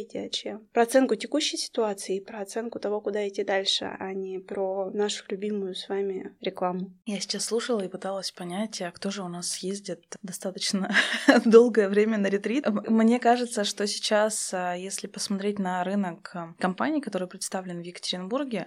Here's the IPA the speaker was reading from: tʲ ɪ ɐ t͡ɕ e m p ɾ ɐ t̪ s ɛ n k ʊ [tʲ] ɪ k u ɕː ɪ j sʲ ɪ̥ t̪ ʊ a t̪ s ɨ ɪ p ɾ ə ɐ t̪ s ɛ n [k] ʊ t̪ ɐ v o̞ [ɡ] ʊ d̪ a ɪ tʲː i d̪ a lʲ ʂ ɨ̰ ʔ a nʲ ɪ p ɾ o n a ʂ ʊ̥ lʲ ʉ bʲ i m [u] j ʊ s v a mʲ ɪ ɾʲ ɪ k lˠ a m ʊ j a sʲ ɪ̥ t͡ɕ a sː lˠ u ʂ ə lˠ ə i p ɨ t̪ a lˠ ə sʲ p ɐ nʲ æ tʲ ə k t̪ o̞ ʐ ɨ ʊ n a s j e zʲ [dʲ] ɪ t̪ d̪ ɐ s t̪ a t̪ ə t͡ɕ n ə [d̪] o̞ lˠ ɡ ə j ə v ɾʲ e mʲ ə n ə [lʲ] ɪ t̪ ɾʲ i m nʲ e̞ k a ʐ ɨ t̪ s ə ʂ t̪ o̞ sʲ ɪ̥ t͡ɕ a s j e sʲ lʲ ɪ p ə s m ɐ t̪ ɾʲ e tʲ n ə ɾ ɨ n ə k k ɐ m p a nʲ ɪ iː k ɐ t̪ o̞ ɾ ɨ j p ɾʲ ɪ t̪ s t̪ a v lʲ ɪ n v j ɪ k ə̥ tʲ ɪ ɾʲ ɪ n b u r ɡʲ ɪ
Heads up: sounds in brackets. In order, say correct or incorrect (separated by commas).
correct, correct, incorrect, incorrect, correct, correct, incorrect